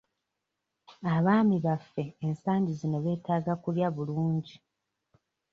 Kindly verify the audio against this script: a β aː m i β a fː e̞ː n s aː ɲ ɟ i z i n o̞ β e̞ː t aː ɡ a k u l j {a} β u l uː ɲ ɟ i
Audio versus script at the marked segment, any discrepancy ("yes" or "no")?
no